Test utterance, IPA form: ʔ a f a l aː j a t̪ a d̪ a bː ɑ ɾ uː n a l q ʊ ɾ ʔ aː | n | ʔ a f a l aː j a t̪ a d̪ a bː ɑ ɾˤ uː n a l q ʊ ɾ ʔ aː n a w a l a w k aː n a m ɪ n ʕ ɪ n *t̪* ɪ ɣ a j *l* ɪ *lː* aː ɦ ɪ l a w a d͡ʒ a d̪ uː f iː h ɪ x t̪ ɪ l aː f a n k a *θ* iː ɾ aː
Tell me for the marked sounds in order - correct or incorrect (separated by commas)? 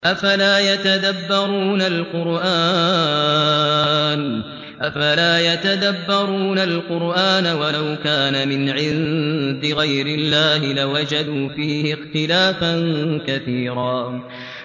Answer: incorrect, incorrect, correct, correct